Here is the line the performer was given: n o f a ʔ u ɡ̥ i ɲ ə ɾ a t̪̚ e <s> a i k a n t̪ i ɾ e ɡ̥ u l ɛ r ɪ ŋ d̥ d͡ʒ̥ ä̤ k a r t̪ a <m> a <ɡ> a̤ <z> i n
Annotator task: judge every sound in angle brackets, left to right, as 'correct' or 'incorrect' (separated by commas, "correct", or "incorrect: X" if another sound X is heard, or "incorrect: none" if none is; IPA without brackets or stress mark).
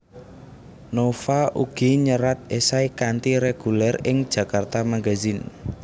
correct, correct, correct, correct